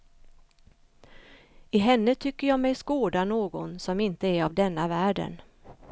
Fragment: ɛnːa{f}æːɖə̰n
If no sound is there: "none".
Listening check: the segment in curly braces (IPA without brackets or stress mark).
v